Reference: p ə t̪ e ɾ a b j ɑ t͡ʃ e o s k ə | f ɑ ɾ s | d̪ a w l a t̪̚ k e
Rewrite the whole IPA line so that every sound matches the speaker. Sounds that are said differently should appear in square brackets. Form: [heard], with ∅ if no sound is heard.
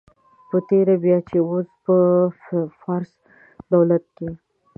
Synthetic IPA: p ə t̪ e ɾ a b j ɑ t͡ʃ e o s [p] ə | f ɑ ɾ s | d̪ a w l a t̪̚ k e